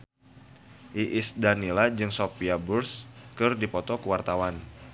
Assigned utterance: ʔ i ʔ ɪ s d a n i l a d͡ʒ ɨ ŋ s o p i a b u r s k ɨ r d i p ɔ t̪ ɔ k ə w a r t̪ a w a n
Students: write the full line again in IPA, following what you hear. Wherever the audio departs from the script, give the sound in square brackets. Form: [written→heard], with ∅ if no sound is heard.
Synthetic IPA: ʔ i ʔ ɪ s d a n i l a d͡ʒ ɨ ŋ s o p i a b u r s k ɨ r d i p ɔ t̪ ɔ k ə w a r t̪ a w a n